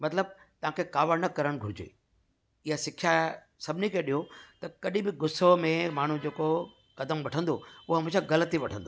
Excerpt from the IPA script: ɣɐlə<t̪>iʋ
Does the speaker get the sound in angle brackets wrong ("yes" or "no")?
no